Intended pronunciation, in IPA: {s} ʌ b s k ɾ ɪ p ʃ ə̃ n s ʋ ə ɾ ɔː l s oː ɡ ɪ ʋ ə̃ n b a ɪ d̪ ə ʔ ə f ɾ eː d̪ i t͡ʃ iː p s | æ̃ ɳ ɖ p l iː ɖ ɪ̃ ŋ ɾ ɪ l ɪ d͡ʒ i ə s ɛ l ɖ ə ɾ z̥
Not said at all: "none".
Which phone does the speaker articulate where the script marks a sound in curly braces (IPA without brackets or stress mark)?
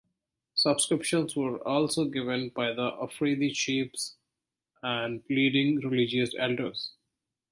s